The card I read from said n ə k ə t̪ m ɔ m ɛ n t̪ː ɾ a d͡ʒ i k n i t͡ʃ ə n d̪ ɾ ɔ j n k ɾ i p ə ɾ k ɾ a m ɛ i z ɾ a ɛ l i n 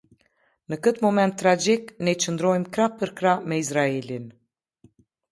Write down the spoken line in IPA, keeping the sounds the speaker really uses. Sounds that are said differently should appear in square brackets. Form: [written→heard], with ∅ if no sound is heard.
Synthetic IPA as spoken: n ə k ə t̪ m ɔ m ɛ n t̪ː ɾ a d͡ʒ i k n [i→ɛ] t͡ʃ ə n d̪ ɾ ɔ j [n→m] k ɾ [i→a] p ə ɾ k ɾ a m ɛ i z ɾ a ɛ l i n